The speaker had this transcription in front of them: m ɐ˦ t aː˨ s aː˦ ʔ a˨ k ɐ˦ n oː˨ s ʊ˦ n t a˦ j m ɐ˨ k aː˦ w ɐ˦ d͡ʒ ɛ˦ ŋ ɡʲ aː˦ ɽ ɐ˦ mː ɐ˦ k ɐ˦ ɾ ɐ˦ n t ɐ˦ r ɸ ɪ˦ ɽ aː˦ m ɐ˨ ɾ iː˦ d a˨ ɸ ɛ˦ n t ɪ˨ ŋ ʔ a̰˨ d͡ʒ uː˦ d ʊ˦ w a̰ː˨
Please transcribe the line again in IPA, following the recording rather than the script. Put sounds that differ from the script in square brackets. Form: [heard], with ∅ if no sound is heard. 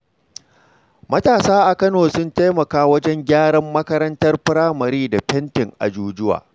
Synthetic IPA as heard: m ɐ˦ t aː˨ s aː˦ ʔ a˨ k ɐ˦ n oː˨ s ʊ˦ n t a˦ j m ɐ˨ k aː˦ w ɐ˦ d͡ʒ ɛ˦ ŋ ɡʲ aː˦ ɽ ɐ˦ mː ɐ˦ k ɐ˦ ɾ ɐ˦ n t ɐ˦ r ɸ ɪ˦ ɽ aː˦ m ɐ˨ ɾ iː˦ d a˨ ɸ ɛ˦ n t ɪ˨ ŋ ʔ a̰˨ d͡ʒ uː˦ [d͡ʒ] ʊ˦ w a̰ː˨

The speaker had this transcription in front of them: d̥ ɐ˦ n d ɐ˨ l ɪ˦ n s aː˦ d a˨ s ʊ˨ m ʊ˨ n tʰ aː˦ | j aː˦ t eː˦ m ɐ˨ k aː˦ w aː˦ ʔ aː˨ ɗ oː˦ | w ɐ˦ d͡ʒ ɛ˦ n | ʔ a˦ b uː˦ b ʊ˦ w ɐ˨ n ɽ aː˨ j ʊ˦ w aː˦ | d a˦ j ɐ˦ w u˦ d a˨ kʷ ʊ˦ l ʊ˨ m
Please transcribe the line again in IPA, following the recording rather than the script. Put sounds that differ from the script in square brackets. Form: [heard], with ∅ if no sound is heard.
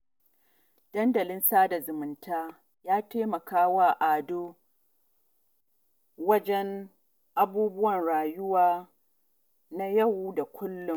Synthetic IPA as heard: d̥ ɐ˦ n d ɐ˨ l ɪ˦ n s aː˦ d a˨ [z] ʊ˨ m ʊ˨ n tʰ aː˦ | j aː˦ t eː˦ m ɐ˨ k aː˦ w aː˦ ʔ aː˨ [d] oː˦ | w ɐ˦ d͡ʒ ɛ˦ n | ʔ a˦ b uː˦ b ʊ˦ w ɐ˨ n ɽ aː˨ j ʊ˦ w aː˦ | [n] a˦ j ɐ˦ w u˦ d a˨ kʷ ʊ˦ [lː] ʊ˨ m

